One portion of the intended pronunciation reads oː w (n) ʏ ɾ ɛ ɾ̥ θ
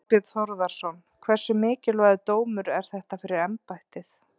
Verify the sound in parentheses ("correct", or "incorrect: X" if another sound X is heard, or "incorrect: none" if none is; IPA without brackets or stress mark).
incorrect: m